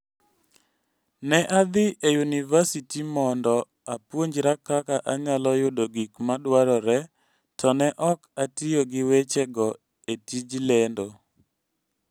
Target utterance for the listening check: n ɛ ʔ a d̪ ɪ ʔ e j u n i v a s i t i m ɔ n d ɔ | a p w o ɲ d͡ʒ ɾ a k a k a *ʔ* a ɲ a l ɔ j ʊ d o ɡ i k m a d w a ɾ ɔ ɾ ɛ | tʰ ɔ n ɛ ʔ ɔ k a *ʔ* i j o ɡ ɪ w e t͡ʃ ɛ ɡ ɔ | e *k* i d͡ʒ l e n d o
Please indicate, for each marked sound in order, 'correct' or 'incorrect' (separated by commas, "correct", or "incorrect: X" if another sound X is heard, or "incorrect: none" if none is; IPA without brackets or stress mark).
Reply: correct, incorrect: t, incorrect: t